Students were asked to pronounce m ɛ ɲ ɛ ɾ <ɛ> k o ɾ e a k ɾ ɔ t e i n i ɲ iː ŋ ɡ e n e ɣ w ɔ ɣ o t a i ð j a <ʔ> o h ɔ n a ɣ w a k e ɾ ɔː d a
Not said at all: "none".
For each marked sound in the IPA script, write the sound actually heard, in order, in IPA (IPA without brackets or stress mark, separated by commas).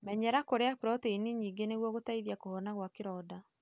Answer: a, k